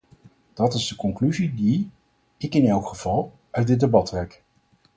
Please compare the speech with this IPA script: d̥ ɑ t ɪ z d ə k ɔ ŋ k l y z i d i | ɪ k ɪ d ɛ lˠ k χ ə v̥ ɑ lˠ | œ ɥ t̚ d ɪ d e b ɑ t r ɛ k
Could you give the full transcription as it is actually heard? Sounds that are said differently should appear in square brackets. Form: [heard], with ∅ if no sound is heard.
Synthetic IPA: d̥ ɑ t ɪ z d ə k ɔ ŋ k l y z i d i | ɪ k ɪ [n] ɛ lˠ k χ ə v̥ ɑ lˠ | œ ɥ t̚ d ɪ d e b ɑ t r ɛ k